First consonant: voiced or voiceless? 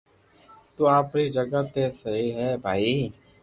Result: voiceless